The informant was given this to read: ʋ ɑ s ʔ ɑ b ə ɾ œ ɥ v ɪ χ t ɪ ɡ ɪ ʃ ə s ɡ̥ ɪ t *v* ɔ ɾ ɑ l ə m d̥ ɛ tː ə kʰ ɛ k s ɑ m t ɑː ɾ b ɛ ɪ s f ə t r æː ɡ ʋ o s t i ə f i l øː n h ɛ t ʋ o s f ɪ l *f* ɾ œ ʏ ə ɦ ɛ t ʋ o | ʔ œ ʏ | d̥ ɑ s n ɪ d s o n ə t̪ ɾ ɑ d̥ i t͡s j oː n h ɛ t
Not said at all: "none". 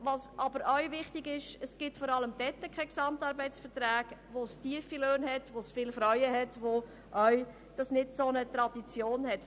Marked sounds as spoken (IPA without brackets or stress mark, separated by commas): f, f